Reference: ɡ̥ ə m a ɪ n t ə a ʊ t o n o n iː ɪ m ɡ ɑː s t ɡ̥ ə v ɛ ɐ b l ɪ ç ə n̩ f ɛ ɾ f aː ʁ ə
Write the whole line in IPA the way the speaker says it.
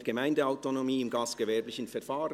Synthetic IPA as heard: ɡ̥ ə m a ɪ n d ə a ʊ t o n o m iː ɪ m ɡ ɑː s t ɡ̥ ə v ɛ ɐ b l ɪ ç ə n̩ f ɛ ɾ f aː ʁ ə